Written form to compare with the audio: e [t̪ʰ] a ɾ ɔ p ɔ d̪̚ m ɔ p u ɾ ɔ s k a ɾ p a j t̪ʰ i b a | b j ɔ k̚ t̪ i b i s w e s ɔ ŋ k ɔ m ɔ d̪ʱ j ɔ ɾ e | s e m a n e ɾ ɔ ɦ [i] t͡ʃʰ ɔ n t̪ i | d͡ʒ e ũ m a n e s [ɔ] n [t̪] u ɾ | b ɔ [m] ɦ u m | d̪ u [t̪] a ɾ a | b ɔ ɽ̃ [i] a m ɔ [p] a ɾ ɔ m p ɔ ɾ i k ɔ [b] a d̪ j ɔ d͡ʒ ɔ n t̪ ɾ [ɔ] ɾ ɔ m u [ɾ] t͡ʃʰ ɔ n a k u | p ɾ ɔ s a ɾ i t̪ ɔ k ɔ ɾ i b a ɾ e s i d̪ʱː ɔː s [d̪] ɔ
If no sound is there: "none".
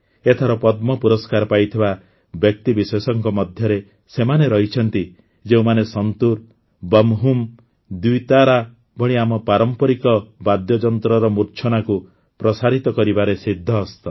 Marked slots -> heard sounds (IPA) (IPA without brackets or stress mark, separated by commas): t̪ʰ, i, ɔ, t̪, m, t̪, i, p, b, ɔ, ɾ, t̪